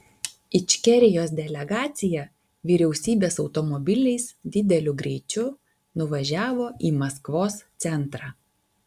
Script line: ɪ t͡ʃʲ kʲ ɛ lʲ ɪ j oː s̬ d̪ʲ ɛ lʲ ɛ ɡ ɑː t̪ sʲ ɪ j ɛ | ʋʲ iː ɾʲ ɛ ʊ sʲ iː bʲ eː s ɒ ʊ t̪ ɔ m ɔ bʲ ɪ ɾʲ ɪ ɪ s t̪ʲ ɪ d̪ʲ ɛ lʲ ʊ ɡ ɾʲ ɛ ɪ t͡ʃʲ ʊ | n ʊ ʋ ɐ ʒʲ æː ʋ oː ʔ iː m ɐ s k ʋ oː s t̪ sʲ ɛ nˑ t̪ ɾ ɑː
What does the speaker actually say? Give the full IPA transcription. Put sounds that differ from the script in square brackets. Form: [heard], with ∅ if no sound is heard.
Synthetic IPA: ɪ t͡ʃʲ kʲ ɛ [ɾʲ] ɪ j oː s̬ d̪ʲ ɛ lʲ ɛ ɡ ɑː t̪ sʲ ɪ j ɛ | ʋʲ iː ɾʲ ɛ ʊ sʲ iː bʲ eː s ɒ ʊ t̪ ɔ m ɔ bʲ ɪ [lʲ] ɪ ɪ s [d̪ʲ] ɪ d̪ʲ ɛ lʲ ʊ ɡ ɾʲ ɛ ɪ t͡ʃʲ ʊ | n ʊ ʋ ɐ ʒʲ æː ʋ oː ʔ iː m ɐ s k ʋ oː s t̪ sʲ ɛ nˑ t̪ ɾ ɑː